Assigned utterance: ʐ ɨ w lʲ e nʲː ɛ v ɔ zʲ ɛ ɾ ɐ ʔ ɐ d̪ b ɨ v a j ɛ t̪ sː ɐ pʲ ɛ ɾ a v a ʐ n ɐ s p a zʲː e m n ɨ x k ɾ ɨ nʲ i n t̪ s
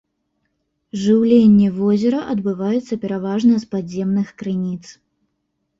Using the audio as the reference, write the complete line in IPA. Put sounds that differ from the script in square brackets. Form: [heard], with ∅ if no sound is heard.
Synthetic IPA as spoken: ʐ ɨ w lʲ e nʲː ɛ v ɔ zʲ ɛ ɾ ɐ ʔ ɐ d̪ b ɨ v a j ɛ t̪ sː ɐ pʲ ɛ ɾ a v a ʐ n ɐ s p a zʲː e m n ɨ x k ɾ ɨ nʲ i [∅] t̪ s